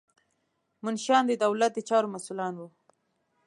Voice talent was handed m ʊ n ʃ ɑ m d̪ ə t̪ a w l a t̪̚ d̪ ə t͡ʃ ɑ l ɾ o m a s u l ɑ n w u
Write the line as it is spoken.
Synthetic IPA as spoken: m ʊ n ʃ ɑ n d̪ ə d̪ a w l a t̪̚ d̪ ə t͡ʃ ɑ ɾ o m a s u l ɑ n w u